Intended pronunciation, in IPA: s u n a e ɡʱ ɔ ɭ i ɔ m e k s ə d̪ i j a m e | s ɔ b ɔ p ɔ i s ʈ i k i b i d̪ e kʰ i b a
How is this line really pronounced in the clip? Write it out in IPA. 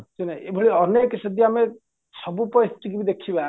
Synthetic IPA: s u n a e bʱ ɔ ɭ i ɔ n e k s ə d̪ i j a m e | s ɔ b u p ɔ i s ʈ i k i b i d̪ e kʰ i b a